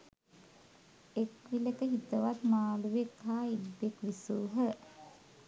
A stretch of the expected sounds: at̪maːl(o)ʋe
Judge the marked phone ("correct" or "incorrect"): incorrect